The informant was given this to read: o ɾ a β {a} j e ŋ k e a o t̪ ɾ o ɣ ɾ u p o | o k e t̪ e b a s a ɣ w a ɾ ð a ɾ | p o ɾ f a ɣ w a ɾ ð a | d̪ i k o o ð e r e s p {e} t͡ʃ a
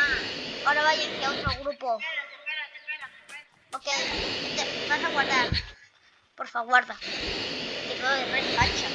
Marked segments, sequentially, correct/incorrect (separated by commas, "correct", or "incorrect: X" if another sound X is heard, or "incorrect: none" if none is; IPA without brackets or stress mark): correct, incorrect: a